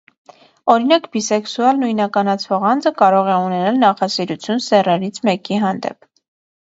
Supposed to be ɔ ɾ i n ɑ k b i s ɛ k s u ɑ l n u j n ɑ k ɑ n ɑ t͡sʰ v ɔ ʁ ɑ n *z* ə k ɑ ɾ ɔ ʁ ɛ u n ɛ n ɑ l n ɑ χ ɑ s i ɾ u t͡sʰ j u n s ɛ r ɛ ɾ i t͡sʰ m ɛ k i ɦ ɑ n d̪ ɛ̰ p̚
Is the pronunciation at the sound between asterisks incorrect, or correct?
incorrect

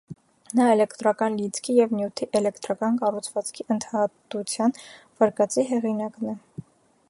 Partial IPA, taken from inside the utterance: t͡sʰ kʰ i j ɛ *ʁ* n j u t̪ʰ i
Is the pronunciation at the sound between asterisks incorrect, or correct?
incorrect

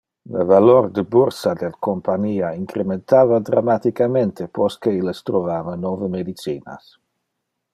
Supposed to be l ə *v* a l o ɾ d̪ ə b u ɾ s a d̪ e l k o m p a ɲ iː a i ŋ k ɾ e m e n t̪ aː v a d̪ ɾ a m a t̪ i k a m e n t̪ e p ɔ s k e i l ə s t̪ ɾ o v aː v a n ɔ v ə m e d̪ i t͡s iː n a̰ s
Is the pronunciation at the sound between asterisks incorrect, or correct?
correct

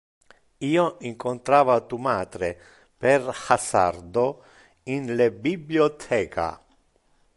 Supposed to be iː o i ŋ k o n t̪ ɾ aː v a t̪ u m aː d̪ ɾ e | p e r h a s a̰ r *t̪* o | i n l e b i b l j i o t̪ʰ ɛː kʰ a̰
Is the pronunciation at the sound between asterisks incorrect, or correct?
incorrect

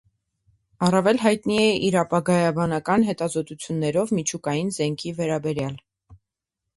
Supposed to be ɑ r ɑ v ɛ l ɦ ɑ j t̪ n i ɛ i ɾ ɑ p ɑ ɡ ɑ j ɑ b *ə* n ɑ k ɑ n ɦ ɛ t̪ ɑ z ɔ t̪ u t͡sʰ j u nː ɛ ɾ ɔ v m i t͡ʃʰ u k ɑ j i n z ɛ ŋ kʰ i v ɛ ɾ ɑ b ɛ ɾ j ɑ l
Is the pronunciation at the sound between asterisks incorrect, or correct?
incorrect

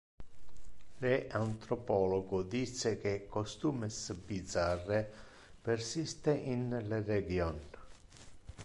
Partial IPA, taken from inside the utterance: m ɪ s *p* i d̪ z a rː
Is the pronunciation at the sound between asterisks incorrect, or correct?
incorrect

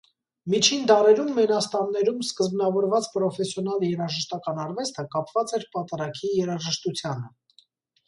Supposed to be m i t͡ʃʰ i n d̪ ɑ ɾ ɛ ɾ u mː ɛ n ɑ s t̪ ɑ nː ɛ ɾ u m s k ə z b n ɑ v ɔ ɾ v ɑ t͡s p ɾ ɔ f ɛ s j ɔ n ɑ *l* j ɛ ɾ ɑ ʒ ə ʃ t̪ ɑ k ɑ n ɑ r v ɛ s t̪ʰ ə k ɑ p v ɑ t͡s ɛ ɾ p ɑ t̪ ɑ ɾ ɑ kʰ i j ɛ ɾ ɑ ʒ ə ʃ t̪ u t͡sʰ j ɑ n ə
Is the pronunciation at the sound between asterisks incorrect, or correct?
correct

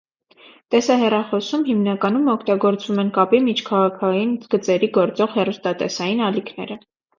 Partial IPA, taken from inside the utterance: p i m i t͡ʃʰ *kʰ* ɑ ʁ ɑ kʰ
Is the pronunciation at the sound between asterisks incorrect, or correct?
correct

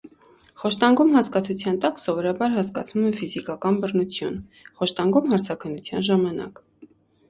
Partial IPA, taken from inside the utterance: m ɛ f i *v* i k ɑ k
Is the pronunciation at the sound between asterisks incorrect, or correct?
incorrect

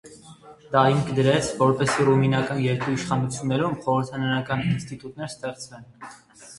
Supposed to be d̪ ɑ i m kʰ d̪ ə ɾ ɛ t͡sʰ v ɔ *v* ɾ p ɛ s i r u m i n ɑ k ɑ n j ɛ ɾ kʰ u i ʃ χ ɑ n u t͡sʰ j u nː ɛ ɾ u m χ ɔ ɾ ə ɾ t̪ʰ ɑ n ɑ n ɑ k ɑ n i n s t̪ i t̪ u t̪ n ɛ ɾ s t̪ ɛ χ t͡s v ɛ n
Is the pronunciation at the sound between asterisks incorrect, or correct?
incorrect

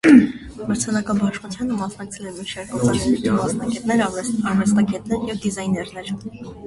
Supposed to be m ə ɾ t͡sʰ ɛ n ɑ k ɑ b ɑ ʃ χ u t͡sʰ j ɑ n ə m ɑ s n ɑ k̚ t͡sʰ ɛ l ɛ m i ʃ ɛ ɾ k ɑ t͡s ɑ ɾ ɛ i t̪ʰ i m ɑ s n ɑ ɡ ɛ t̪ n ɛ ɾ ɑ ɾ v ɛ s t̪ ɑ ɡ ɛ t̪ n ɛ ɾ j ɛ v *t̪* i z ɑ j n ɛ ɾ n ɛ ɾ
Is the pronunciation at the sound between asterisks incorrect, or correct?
incorrect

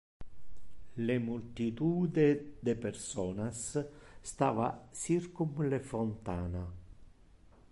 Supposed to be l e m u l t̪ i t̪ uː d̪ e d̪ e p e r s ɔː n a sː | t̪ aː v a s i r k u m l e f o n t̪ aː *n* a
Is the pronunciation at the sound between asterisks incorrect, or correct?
correct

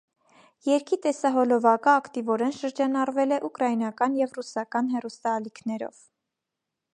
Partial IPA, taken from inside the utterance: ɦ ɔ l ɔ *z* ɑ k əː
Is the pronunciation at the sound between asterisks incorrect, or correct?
incorrect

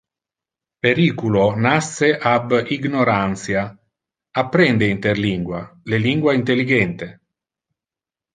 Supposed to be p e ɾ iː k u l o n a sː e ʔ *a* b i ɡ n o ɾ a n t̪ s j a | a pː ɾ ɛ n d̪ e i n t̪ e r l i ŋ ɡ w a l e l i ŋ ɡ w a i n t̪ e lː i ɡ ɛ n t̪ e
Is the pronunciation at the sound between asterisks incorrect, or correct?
correct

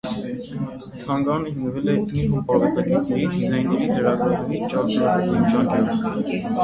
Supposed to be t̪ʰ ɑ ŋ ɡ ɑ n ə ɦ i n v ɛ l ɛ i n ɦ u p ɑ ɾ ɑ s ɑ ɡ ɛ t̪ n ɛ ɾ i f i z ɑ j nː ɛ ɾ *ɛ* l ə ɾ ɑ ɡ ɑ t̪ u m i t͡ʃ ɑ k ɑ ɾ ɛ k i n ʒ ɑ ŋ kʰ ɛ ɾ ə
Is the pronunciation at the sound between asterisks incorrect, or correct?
incorrect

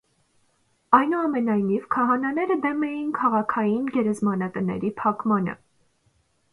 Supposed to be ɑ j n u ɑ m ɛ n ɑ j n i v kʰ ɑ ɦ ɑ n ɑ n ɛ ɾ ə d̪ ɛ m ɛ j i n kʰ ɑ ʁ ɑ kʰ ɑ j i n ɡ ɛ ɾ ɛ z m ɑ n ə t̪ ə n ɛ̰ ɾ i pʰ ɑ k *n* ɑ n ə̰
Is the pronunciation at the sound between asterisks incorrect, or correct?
incorrect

